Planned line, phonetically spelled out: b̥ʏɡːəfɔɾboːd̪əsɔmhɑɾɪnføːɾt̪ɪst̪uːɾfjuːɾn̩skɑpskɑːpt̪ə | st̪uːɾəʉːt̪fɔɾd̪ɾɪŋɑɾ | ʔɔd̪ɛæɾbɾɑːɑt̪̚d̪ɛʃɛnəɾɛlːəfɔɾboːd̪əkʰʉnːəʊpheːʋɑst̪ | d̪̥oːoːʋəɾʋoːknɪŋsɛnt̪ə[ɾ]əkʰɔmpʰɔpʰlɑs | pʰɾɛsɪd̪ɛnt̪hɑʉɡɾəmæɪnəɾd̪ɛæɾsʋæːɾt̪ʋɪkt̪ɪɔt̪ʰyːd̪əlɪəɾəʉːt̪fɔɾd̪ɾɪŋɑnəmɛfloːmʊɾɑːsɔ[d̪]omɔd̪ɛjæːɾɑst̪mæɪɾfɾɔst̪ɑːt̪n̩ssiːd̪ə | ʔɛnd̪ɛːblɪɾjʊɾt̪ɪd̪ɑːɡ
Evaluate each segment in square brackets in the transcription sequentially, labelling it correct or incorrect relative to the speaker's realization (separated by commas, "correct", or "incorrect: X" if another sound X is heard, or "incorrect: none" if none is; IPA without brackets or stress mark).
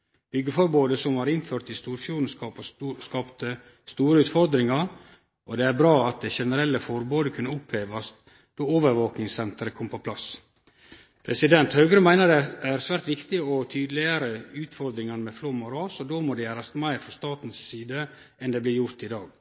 correct, correct